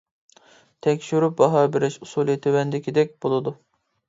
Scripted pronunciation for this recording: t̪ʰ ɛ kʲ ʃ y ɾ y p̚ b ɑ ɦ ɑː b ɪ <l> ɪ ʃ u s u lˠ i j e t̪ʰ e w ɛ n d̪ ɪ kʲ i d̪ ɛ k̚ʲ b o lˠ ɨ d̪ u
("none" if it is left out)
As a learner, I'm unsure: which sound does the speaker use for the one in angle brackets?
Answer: ɾ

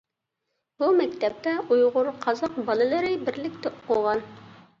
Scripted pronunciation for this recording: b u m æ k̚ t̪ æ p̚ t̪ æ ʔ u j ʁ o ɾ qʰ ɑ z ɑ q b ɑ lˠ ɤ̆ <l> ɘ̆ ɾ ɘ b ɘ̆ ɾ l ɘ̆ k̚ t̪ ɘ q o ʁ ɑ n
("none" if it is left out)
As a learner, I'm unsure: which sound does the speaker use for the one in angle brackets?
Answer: l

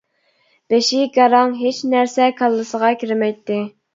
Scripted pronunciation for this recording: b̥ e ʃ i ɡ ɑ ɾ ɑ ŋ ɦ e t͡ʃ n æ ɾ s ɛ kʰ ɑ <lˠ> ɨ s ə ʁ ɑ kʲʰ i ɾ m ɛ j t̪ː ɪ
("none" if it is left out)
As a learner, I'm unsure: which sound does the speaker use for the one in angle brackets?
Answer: lˠː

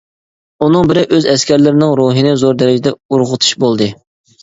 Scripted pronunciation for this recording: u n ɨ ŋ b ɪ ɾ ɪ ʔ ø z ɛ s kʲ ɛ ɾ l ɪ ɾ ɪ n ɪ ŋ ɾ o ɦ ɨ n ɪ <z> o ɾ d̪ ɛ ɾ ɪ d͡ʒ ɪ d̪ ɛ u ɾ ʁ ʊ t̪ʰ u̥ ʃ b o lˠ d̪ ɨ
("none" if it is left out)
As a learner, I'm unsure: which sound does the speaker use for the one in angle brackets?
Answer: z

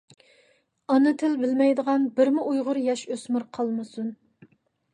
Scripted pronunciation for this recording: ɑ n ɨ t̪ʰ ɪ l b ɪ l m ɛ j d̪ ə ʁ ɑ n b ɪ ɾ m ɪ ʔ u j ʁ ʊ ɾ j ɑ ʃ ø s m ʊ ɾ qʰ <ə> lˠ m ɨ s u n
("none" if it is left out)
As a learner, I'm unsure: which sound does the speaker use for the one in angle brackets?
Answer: ɑ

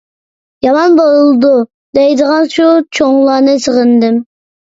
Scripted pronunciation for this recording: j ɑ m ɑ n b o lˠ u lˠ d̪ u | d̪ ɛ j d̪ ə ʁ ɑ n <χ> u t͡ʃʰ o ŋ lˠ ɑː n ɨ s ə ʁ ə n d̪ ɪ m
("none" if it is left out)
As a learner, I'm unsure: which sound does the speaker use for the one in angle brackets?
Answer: ʃ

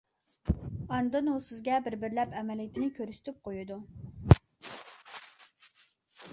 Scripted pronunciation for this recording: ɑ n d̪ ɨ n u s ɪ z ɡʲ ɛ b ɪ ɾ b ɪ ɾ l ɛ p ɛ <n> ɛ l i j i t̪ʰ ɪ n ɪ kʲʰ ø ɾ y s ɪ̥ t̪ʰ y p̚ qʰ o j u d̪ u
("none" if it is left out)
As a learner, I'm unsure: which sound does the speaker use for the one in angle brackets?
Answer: m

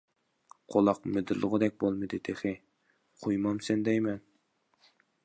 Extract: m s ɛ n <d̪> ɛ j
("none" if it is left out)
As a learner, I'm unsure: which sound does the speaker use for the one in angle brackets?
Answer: d̪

